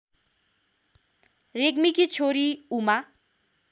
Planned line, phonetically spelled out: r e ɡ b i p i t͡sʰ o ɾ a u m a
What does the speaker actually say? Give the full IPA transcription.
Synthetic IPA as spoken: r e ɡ m i k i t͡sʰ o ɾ i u m a